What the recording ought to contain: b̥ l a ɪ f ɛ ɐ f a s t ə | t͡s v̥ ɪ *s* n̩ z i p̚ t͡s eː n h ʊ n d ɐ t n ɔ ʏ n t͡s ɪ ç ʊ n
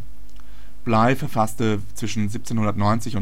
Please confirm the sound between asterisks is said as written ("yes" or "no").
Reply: no